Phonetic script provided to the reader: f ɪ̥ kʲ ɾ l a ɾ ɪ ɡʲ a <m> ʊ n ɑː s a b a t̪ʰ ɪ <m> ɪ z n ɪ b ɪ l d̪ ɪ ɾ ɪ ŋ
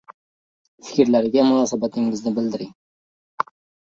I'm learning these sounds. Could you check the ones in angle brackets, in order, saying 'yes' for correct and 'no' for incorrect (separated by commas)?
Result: yes, no